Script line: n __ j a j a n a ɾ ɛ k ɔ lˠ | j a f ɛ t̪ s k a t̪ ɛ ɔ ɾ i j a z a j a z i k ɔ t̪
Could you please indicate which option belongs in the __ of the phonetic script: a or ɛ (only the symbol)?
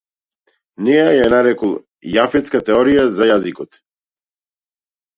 ɛ